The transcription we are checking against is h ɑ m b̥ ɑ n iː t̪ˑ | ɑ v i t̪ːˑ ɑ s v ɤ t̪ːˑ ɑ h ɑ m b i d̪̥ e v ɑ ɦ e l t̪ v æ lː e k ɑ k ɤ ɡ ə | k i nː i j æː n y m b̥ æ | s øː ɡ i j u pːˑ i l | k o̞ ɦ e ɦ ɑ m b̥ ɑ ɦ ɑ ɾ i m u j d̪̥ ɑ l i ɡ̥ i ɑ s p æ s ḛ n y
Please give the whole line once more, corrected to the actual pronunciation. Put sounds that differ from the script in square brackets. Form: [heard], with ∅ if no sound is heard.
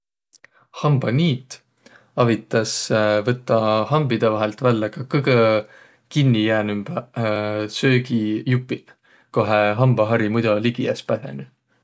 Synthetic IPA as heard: h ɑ m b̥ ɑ n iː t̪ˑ | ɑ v i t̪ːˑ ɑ s v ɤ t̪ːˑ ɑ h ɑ m b i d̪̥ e v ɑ ɦ e l t̪ v æ lː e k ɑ k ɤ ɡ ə | k i nː i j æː n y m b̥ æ | s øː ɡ i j u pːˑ i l | k o̞ ɦ e ɦ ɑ m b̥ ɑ ɦ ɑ ɾ i m u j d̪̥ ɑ l i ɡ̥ i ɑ s p æ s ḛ n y